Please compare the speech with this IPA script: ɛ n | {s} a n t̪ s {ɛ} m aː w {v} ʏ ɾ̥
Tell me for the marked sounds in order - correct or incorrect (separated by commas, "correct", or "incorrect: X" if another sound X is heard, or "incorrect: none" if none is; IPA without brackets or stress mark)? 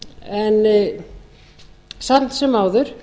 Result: correct, correct, incorrect: ð